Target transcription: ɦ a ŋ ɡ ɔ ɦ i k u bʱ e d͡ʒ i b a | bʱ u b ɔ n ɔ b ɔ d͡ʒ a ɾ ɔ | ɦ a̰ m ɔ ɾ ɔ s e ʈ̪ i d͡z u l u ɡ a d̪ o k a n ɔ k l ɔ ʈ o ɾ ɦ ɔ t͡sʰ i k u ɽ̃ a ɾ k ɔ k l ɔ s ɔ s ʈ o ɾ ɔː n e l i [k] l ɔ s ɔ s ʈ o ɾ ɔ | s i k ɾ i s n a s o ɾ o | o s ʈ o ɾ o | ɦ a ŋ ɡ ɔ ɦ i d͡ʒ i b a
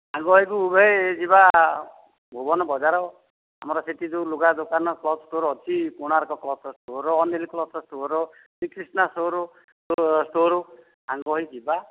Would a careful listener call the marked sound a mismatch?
no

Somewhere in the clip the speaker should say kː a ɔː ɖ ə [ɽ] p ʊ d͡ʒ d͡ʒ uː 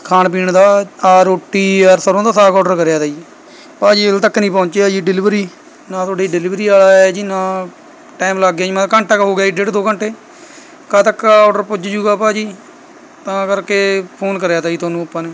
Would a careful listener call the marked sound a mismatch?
yes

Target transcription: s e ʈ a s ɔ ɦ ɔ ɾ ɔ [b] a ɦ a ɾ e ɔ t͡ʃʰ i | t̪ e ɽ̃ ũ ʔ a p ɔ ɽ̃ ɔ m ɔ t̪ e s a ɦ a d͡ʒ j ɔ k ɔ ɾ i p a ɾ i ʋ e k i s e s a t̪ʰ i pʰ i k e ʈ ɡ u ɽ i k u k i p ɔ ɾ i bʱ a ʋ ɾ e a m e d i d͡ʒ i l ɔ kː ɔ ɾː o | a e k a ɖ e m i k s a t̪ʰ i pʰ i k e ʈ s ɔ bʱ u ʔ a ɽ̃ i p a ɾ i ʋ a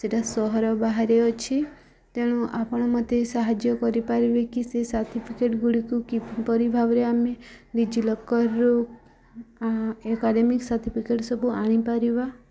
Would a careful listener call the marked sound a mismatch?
no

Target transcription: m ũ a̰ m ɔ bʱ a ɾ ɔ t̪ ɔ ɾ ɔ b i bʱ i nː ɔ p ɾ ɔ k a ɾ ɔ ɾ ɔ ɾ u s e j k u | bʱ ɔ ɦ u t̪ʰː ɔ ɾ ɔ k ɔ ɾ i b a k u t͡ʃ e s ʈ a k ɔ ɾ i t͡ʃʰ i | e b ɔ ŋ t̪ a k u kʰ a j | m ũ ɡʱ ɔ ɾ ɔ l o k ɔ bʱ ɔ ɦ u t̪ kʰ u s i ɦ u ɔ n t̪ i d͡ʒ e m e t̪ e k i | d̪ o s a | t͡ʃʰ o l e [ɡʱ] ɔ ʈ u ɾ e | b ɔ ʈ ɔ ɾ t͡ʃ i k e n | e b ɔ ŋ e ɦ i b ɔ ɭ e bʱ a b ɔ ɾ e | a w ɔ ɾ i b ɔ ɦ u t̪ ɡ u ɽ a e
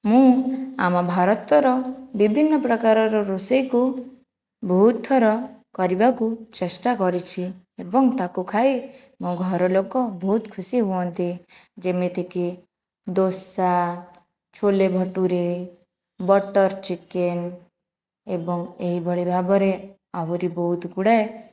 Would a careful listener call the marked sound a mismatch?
yes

